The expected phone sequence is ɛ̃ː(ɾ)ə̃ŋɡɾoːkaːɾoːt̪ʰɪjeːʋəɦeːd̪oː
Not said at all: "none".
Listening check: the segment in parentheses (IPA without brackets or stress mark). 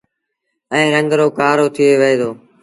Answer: ɾ